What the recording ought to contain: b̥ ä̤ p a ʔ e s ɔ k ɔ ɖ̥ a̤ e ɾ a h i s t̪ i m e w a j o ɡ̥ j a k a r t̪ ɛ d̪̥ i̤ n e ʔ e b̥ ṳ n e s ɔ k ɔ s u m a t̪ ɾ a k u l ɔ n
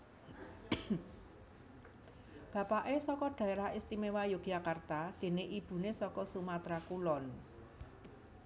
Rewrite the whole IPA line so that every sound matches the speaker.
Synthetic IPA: b̥ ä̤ p a ʔ e s ɔ k ɔ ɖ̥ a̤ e ɾ a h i s t̪ i m e w a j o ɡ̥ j a k a r t̪ a d̪̥ e̤ n e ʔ i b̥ ṳ n e s ɔ k ɔ s u m a t̪ ɾ a k u l ɔ n